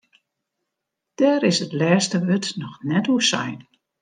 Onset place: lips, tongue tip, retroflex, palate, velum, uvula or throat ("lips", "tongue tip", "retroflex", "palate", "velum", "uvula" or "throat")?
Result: tongue tip